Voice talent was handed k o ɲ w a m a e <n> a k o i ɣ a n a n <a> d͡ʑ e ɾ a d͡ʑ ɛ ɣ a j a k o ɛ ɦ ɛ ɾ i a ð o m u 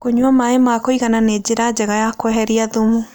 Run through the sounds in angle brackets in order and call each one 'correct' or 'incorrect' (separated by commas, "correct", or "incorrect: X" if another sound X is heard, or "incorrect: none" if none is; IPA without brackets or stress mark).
incorrect: m, incorrect: e